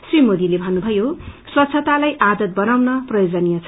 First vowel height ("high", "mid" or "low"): high